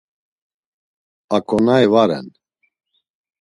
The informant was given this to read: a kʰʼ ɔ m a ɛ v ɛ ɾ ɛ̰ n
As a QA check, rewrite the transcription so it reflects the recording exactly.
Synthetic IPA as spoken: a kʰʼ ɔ n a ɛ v a ɾ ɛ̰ n